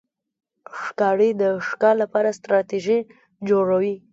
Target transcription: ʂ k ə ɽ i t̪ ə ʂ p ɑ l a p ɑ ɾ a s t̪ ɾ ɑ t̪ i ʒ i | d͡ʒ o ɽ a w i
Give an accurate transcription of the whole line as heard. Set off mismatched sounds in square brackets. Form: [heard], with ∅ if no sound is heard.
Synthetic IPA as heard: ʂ k [ɑ] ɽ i [d̪] ə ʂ [k] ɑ l a p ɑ ɾ a s t̪ ɾ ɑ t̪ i ʒ i | d͡ʒ o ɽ a w i